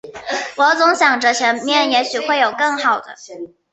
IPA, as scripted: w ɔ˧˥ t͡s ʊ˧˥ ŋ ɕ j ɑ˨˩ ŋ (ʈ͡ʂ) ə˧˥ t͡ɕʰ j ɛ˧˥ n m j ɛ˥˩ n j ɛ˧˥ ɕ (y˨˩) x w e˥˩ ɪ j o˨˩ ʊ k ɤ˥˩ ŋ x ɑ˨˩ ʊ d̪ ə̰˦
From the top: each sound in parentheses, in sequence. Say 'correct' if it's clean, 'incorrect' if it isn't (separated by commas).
correct, correct